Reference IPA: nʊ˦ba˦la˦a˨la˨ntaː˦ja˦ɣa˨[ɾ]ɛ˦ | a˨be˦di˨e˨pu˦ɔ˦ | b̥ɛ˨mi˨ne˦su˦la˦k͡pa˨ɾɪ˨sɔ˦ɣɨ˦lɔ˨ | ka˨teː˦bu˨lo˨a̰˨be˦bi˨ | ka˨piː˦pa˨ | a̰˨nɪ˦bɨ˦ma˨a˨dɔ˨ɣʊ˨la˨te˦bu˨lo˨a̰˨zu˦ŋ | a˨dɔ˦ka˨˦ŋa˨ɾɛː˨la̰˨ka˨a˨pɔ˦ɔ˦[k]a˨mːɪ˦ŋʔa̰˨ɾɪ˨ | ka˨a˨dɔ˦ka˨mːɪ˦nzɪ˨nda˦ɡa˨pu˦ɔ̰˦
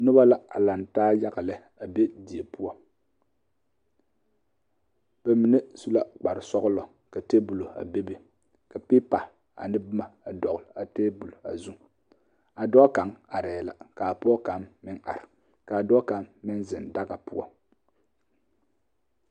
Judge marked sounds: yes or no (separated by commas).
no, yes